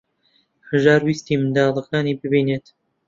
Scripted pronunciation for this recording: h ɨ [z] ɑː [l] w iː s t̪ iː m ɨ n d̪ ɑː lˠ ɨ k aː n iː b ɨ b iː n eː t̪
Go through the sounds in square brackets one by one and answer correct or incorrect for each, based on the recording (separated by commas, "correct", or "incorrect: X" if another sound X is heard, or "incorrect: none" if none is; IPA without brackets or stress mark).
incorrect: ʒ, incorrect: ɾ